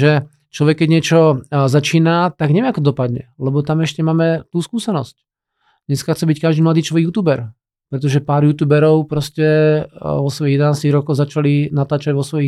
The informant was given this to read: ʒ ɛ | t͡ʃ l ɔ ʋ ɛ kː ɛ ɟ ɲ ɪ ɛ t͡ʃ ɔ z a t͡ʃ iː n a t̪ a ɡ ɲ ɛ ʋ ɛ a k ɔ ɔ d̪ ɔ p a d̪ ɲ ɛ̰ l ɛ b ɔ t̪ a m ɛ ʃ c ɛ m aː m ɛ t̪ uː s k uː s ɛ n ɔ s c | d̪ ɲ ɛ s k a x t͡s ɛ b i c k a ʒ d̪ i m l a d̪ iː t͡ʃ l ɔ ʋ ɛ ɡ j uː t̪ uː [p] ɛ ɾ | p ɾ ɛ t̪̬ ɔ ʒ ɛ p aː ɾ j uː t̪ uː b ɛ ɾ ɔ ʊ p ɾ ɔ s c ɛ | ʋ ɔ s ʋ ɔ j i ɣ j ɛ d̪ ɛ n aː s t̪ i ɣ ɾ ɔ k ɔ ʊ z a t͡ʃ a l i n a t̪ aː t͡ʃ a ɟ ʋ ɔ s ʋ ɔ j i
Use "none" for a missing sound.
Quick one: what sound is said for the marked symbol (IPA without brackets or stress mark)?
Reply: b